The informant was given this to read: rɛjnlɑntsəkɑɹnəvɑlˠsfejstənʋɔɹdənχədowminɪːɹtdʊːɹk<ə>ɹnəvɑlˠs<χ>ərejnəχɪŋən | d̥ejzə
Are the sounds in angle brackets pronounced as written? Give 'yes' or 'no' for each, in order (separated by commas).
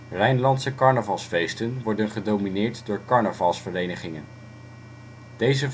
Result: no, no